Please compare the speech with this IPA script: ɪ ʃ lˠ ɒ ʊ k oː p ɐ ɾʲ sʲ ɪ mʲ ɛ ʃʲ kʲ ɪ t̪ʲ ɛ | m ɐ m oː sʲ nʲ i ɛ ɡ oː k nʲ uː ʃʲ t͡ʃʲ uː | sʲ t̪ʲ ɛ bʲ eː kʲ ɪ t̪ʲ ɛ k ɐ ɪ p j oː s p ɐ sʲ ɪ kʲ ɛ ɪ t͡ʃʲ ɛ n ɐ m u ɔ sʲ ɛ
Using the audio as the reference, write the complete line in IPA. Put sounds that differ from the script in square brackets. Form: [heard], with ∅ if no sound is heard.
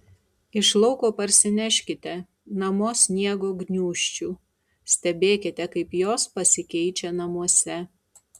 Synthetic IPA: ɪ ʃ lˠ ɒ ʊ k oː p ɐ ɾʲ sʲ ɪ [nʲ] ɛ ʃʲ kʲ ɪ t̪ʲ ɛ | [n] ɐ m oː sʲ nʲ i ɛ ɡ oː [ɡ] nʲ uː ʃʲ t͡ʃʲ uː | sʲ t̪ʲ ɛ bʲ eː kʲ ɪ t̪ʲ ɛ k ɐ ɪ p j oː s p ɐ sʲ ɪ kʲ ɛ ɪ t͡ʃʲ ɛ n ɐ m u ɔ sʲ ɛ